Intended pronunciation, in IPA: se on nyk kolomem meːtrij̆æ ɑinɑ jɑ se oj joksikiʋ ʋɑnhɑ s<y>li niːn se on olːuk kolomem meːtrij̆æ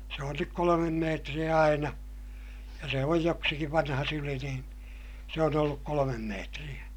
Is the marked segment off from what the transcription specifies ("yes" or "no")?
no